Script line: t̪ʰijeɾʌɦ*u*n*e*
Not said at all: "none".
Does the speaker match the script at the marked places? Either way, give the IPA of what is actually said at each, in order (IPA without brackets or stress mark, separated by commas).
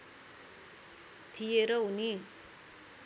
u, i